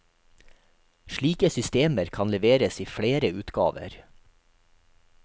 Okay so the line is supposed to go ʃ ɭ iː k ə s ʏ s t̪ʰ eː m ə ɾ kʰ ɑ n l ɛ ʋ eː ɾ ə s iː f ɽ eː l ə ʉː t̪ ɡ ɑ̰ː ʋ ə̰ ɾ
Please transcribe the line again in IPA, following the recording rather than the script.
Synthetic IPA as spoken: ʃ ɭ iː k ə s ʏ s t̪ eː m ə ɾ kʰ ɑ n l ɛ ʋ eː ɾ ə s iː f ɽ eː ɾ ə ʉː t̪ ɡ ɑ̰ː ʋ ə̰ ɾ